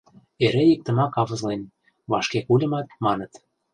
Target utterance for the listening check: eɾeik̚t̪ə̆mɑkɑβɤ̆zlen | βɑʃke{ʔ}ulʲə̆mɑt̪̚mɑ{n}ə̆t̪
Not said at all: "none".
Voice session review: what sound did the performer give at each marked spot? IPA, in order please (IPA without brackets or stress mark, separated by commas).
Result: k, n